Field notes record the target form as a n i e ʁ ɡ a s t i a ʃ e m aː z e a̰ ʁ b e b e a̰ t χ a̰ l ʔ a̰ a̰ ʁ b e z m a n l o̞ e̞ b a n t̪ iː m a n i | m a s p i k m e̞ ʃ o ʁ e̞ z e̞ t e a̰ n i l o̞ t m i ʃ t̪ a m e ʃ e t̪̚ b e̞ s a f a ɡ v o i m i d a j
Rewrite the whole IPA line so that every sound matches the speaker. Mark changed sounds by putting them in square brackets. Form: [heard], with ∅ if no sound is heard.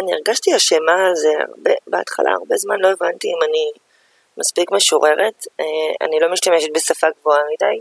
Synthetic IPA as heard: a n i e ʁ ɡ a [ʃ] t i a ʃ e m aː z e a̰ ʁ b e b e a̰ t χ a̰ l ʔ a̰ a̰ ʁ b e z m a n l o̞ e̞ [v] a n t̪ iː m a n i | m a s p i k m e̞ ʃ o ʁ e̞ [ʁ] e̞ t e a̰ n i l o̞ [∅] m i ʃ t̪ a m e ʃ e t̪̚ b e̞ s a f a ɡ v o [a] m i d a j